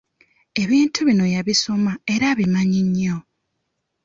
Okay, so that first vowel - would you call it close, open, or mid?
mid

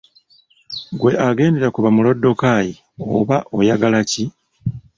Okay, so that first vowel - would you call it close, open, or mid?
mid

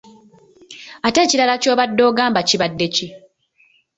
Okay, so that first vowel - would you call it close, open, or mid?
open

